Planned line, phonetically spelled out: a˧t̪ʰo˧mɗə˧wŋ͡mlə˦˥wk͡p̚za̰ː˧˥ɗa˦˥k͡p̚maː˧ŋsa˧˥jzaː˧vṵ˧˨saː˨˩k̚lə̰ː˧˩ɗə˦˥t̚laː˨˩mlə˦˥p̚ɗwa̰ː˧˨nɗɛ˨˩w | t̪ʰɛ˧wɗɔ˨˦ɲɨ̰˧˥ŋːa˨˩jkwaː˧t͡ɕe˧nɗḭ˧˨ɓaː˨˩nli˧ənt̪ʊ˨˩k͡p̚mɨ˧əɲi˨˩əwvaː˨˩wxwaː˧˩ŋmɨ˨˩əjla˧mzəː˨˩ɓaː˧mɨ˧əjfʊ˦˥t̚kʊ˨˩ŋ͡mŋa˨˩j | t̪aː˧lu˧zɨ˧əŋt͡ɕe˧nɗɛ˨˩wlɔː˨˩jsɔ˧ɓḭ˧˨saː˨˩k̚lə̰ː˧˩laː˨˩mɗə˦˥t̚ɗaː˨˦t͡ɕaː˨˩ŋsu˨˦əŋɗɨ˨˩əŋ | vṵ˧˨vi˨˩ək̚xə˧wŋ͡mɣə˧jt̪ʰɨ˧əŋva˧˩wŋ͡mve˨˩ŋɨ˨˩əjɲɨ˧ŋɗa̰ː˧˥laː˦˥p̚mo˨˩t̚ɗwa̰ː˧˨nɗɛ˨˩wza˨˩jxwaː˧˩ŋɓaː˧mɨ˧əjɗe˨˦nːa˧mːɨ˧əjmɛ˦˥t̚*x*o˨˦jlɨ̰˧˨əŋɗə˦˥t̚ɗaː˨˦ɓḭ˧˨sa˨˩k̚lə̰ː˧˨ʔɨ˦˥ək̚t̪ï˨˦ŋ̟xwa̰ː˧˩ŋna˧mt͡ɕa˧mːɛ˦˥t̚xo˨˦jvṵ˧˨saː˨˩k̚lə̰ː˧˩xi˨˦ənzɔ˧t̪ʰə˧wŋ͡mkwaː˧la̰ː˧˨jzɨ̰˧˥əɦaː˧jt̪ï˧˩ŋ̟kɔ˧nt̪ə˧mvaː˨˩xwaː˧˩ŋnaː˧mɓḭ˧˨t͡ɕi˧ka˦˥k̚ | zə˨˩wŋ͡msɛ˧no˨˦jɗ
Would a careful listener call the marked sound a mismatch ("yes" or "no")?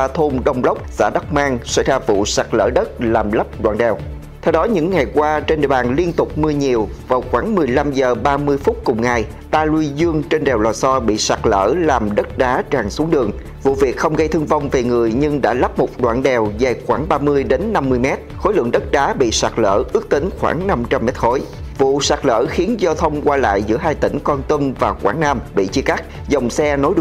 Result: no